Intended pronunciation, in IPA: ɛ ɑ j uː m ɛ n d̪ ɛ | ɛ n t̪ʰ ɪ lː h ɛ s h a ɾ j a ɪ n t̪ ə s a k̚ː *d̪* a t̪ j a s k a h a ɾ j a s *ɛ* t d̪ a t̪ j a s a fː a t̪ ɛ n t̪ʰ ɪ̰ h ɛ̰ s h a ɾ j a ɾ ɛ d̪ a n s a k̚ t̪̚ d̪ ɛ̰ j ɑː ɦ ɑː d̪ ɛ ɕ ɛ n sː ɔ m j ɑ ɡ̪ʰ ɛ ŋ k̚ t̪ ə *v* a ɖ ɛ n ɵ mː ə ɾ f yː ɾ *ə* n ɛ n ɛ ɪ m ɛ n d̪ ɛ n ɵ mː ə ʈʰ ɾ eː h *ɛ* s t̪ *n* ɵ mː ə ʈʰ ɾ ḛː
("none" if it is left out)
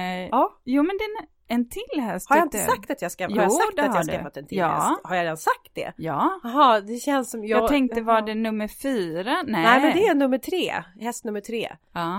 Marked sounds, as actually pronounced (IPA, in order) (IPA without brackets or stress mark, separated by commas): t̪, a, v, a, ɛ, n